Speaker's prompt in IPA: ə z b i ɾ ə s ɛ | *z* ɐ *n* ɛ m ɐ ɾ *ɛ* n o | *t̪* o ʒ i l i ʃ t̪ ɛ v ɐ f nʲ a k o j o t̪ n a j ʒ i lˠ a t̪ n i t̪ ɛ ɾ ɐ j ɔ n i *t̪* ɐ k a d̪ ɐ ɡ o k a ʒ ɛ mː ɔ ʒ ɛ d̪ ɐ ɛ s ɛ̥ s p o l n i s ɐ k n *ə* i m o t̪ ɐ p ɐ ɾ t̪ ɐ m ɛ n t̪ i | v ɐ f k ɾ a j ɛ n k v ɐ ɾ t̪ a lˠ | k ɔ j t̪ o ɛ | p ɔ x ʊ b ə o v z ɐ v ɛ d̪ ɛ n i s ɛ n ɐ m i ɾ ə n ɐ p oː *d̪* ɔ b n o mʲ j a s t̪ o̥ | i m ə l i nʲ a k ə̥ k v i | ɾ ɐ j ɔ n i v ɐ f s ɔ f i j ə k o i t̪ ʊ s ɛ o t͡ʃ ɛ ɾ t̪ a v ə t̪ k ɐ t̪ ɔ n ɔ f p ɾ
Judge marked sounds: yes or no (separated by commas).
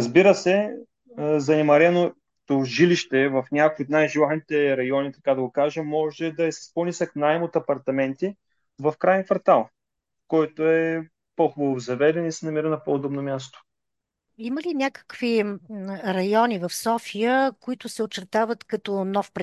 yes, yes, yes, yes, yes, no, yes